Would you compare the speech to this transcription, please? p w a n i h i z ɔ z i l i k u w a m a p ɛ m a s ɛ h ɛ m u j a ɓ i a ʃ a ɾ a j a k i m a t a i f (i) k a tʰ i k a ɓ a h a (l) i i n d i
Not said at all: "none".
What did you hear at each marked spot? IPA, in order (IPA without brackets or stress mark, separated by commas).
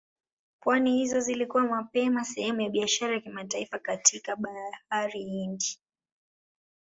a, ɾ